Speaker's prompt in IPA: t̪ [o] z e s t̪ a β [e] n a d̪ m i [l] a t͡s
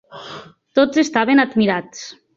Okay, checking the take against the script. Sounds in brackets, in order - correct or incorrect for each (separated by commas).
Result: correct, correct, incorrect